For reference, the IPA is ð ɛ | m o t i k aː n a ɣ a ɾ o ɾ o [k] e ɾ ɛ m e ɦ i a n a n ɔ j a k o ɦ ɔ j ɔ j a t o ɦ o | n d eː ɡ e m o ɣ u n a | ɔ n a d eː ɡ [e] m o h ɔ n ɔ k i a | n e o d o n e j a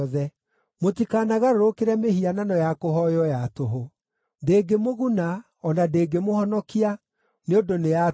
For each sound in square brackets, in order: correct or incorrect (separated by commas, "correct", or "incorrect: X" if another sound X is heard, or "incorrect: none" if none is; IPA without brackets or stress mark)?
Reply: correct, correct